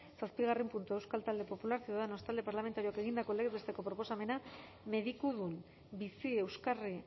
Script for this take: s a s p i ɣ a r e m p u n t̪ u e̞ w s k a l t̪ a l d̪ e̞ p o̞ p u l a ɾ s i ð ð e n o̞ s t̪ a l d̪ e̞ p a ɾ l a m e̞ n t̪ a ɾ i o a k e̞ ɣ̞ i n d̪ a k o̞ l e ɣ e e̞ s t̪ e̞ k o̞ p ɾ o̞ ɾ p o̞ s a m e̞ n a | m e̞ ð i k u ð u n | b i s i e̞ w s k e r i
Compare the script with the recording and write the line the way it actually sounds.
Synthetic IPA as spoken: s a s p i ɣ a r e m p u n t̪ u e̞ w s k a l t̪ a l d̪ e̞ p o̞ p u l a ɾ s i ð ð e n o̞ s t̪ a l d̪ e̞ p a ɾ l a m e̞ n t̪ a ɾ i o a k e̞ ɣ̞ i n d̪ a k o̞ l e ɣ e e̞ s t̪ e̞ k o̞ p ɾ o̞ p o̞ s a m e̞ n a | m e̞ ð i k u ð u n | b i s i e̞ w s k a r i

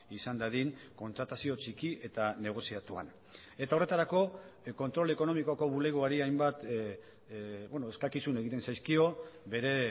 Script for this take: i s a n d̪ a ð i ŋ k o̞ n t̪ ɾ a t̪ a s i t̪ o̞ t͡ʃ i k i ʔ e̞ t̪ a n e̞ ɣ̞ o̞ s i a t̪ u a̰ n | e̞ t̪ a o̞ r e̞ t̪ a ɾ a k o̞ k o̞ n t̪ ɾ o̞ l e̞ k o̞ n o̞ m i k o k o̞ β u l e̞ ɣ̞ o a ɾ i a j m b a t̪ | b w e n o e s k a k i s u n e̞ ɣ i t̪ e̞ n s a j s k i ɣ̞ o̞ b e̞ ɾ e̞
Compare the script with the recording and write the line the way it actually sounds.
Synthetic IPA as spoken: i s a n d̪ a ð i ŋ k o̞ n t̪ ɾ a t̪ a s i o̞ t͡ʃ i k i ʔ e̞ t̪ a n e̞ ɣ̞ o̞ s i a t̪ u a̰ n | e̞ t̪ a o̞ r e̞ t̪ a ɾ a k o̞ k o̞ n t̪ ɾ o̞ l e̞ k o̞ n o̞ m i k o k o̞ β u l e̞ ɣ̞ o a ɾ i a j m b a t̪ | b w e n o e s k a k i s u n e̞ ɣ i t̪ e̞ n s a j s k i o̞ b e̞ ɾ e̞

